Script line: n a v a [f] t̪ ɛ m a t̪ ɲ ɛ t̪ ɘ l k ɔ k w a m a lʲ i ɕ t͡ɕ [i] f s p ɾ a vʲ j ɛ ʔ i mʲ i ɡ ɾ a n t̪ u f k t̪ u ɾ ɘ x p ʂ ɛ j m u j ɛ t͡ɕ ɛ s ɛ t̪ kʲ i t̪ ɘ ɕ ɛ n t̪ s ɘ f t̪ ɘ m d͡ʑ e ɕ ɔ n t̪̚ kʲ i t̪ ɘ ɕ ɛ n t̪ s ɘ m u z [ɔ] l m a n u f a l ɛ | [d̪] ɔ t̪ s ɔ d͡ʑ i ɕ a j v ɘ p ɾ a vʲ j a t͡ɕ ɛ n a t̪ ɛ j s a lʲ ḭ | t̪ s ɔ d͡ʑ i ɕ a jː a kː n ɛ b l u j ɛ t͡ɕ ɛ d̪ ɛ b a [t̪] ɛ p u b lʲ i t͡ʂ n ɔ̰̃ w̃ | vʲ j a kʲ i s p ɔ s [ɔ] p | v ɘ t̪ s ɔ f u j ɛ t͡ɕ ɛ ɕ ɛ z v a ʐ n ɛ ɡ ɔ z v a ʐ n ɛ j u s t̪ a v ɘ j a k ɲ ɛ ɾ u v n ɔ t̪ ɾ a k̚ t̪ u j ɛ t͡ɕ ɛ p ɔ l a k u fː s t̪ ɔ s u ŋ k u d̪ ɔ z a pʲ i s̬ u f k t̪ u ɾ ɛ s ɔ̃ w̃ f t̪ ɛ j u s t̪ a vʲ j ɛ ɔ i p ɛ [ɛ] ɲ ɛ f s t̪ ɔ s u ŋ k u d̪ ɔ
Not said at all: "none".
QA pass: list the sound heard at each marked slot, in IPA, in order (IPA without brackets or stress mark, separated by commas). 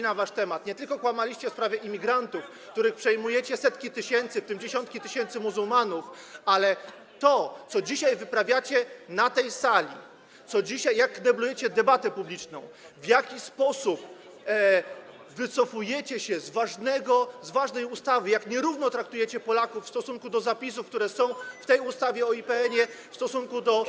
ʂ, ɛ, u, t̪, t̪, u, ɛ